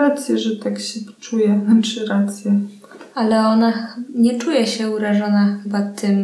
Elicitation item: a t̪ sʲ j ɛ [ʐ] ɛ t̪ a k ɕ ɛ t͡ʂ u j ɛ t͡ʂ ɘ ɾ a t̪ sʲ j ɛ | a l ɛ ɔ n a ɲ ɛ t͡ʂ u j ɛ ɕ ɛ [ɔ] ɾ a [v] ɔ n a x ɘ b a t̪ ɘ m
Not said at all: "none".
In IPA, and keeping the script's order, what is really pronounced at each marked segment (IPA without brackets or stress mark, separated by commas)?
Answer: ʐ, u, ʐ